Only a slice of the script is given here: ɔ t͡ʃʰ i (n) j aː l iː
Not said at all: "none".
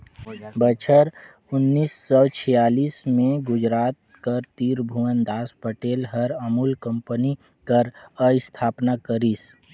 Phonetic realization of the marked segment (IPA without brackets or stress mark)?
none